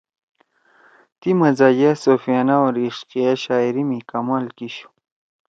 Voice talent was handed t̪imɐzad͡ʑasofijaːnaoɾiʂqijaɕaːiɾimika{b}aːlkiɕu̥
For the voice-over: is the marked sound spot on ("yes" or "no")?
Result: no